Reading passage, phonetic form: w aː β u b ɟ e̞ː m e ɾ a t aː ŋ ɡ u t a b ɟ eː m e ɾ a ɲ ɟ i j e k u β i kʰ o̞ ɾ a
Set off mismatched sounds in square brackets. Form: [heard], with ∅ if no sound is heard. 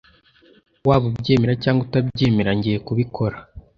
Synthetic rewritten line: w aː β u b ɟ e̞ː m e ɾ a [c] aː ŋ ɡ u t a b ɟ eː m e ɾ a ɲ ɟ i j e k u β i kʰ o̞ ɾ a